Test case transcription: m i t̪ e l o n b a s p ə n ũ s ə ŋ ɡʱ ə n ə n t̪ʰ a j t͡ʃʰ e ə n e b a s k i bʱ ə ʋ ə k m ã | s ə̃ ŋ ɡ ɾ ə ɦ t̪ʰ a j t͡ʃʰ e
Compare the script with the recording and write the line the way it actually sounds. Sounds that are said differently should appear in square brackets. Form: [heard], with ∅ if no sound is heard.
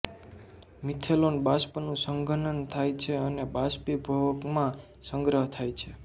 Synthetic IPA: m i [t̪ʰ] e l o n b a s p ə n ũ s ə ŋ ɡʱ ə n ə n t̪ʰ a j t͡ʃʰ e ə n e b a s [p] i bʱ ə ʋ ə k m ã | s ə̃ ŋ ɡ ɾ ə ɦ t̪ʰ a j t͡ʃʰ e